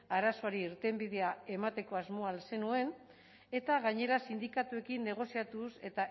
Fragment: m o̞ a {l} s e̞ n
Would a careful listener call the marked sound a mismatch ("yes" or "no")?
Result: no